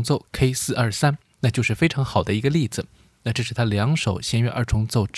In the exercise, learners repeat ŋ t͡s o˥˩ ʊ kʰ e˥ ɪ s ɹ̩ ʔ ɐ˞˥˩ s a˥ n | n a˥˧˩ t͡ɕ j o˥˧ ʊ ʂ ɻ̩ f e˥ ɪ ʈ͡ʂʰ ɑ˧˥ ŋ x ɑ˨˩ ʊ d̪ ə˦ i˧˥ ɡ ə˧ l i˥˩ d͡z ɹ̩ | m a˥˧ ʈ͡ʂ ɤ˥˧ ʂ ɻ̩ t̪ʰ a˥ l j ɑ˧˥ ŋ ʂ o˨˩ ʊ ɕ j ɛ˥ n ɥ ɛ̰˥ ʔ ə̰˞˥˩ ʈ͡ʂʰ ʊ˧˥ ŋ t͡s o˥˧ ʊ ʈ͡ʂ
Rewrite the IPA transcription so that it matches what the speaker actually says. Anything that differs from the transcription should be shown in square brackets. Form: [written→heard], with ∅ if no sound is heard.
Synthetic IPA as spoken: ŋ t͡s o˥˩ ʊ kʰ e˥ ɪ s ɹ̩ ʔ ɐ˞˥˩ s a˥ n | n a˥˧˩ t͡ɕ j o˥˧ ʊ ʂ ɻ̩ f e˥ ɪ ʈ͡ʂʰ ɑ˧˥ ŋ x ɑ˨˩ ʊ d̪ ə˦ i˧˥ ɡ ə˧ l i˥˩ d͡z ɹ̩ | [m→n] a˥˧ ʈ͡ʂ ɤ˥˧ ʂ ɻ̩ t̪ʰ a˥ l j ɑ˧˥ ŋ ʂ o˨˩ ʊ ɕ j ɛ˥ n ɥ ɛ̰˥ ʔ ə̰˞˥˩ ʈ͡ʂʰ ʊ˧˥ ŋ t͡s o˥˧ ʊ ʈ͡ʂ